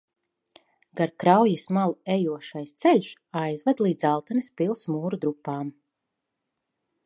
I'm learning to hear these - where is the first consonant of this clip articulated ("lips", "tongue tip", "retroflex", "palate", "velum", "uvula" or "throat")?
velum